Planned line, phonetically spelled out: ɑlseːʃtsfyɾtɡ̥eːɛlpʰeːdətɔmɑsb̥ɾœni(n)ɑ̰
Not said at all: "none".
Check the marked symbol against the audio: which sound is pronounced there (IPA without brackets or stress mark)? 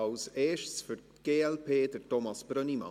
m